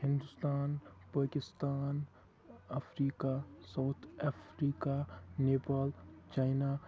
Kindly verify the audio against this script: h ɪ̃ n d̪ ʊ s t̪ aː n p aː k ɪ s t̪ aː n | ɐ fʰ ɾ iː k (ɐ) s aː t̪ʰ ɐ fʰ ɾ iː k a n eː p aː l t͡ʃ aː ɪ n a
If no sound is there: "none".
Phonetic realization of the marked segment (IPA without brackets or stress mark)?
a